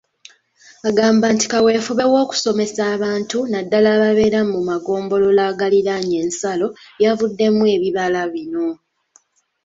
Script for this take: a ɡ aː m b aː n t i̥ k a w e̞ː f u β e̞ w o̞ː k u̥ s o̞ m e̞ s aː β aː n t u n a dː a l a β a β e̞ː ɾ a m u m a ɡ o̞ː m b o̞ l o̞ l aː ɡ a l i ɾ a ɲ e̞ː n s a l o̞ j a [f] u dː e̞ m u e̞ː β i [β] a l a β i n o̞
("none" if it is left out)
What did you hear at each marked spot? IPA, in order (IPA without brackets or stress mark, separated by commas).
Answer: v, β